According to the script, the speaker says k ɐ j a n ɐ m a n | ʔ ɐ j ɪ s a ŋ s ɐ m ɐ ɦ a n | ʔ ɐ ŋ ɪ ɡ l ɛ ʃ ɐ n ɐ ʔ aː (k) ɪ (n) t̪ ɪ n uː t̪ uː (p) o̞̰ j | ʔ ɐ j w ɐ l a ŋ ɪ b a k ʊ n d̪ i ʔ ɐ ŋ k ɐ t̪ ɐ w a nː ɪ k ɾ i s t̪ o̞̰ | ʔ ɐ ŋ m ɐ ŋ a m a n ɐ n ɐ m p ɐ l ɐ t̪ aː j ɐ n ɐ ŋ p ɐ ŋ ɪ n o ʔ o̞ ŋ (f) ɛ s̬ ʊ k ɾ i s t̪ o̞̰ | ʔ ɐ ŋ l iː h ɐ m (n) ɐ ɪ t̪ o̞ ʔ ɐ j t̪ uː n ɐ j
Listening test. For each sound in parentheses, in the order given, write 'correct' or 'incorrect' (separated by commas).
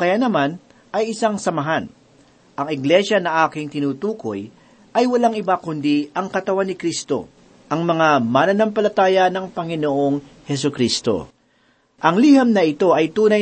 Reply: correct, incorrect, incorrect, incorrect, correct